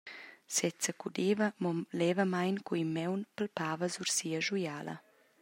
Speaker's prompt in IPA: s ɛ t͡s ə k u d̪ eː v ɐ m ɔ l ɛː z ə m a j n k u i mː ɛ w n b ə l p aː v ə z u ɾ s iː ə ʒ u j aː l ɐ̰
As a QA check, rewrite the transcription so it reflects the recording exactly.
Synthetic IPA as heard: s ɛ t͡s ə k u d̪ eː v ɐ m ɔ l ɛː v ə m a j n k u i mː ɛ w n p ə l p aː v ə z u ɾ s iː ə ʒ u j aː l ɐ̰